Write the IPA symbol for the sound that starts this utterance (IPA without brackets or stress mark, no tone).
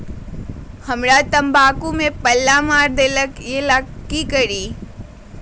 h